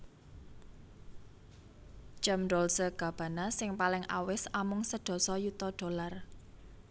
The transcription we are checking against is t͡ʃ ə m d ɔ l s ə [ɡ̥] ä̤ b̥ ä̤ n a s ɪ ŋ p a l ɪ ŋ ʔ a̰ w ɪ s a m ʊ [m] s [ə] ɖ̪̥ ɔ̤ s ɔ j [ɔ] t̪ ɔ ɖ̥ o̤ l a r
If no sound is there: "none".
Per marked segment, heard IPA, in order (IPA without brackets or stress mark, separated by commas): ɡ̥, ŋ, ə, u